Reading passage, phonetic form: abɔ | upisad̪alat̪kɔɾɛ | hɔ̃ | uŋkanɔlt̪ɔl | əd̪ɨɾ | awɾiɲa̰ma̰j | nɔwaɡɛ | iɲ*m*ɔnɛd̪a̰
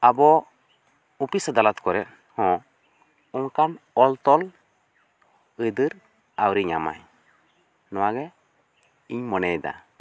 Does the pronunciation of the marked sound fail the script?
no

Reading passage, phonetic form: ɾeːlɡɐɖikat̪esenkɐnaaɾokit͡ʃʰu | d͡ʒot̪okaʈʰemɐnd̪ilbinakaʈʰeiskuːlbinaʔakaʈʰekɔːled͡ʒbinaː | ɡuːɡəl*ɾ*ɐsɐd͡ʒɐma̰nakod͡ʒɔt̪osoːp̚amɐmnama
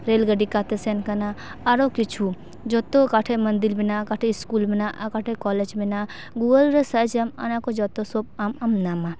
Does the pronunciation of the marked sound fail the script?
no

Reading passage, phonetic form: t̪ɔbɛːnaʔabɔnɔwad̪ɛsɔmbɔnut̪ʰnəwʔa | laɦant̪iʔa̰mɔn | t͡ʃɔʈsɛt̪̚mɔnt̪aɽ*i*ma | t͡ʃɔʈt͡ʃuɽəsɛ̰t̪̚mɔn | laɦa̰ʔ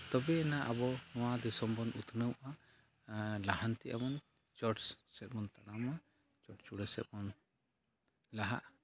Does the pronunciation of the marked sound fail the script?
yes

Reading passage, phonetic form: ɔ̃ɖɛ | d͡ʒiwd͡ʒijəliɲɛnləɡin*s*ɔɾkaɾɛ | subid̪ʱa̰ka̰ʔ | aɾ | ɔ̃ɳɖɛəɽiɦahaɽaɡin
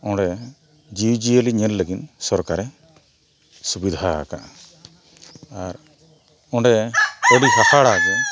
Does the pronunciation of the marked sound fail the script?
no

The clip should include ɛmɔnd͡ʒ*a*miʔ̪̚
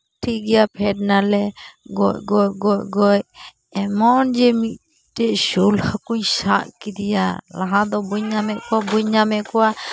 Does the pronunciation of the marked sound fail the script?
yes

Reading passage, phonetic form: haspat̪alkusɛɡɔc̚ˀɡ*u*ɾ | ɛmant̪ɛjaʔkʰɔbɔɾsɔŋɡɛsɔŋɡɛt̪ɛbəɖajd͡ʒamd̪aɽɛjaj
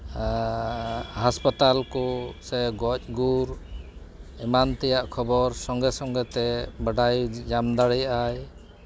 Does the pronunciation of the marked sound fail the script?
no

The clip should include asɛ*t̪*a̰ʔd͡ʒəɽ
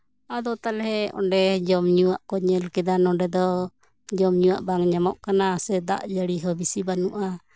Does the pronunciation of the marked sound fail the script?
yes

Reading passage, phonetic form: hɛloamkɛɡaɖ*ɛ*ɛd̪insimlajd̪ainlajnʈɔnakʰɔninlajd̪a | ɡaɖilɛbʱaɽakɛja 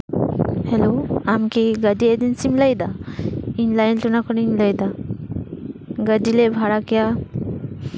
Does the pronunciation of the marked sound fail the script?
yes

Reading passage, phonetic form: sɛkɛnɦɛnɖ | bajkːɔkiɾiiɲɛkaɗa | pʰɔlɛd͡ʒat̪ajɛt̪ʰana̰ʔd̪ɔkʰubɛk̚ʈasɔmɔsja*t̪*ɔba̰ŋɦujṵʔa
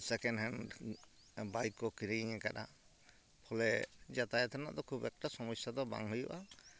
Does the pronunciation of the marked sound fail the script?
yes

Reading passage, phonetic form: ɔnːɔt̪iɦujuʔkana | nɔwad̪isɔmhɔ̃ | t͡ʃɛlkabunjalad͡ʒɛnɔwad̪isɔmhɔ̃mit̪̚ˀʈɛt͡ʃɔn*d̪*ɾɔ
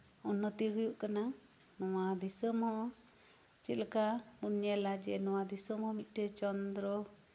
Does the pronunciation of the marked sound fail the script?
no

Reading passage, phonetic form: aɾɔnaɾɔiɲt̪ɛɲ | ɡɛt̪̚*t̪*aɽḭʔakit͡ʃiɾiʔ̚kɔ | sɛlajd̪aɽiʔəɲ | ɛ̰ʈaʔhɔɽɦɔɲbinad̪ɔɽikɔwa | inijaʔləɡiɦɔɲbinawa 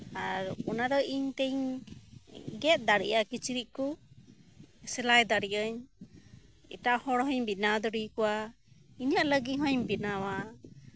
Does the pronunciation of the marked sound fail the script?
yes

